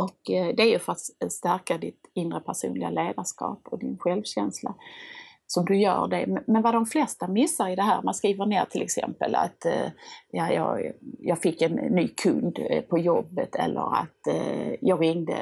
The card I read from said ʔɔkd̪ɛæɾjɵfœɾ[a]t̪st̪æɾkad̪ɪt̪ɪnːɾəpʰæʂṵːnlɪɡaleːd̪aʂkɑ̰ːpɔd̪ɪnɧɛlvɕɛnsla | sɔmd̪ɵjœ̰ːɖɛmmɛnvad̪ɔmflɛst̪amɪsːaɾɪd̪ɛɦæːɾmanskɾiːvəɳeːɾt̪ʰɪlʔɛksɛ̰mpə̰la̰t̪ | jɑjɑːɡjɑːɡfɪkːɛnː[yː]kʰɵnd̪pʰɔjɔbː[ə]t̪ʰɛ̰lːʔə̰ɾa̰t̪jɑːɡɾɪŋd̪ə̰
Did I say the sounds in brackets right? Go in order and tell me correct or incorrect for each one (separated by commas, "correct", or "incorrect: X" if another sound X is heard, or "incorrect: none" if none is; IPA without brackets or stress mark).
correct, correct, correct